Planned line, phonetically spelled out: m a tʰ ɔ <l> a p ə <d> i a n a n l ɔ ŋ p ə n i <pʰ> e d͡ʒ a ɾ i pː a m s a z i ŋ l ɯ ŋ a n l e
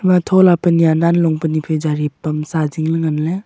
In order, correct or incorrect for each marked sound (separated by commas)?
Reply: correct, incorrect, correct